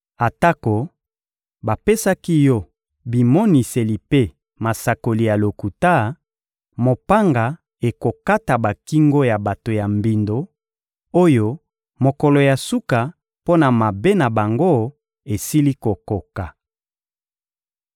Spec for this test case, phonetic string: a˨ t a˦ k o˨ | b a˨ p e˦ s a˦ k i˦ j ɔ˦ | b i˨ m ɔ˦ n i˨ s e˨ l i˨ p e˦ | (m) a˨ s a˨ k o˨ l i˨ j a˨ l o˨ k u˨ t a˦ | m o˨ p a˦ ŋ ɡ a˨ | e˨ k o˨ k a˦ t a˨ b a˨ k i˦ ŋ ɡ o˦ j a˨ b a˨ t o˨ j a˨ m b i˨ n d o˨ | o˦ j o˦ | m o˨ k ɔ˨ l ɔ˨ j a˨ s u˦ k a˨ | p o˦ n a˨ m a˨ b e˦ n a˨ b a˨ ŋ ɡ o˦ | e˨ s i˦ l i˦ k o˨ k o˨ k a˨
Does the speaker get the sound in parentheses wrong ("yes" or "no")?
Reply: no